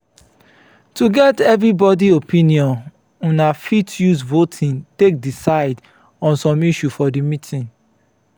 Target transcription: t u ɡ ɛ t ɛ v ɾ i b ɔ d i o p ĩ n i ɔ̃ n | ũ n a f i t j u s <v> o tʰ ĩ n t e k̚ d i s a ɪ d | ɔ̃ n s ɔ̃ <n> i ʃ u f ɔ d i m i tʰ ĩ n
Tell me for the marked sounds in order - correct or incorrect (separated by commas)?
correct, incorrect